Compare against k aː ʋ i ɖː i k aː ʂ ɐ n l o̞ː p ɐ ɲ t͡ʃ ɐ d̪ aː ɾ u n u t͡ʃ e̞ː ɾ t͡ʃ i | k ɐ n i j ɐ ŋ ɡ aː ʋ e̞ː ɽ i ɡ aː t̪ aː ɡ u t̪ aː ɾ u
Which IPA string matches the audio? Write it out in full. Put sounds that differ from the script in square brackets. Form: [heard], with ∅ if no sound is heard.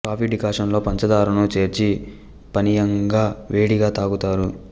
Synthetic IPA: k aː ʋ i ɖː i k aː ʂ ɐ n l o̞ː p ɐ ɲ t͡ʃ ɐ d̪ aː ɾ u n u t͡ʃ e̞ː ɾ t͡ʃ i | [p] ɐ n i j ɐ ŋ ɡ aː ʋ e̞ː ɽ i ɡ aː t̪ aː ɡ u t̪ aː ɾ u